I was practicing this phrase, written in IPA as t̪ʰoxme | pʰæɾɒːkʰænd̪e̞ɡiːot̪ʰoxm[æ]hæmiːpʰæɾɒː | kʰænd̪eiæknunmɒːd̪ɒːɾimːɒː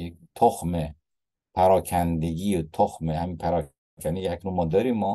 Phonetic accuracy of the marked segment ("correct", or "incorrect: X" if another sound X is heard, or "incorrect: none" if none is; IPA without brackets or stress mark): incorrect: e